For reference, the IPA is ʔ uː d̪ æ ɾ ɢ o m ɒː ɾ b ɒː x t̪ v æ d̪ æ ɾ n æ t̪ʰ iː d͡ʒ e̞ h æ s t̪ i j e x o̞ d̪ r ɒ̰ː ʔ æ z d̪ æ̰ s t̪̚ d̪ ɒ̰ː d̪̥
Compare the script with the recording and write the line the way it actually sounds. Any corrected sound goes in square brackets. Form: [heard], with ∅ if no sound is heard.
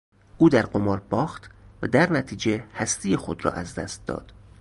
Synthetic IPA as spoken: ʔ uː d̪ æ ɾ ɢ o m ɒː ɾ b ɒː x t̪ v æ d̪ æ ɾ n æ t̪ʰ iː d͡ʒ e̞ h æ s t̪ i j e x o̞ d̪ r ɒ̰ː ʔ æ z d̪ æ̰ s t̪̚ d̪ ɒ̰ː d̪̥